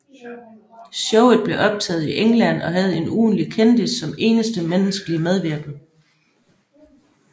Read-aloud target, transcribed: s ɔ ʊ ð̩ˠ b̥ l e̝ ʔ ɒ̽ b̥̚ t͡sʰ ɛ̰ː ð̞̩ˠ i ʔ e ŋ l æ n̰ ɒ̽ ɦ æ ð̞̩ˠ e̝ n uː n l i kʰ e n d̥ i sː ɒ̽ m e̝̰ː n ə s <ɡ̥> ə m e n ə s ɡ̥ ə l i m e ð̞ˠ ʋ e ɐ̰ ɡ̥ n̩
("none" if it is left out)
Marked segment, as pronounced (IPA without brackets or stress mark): d̥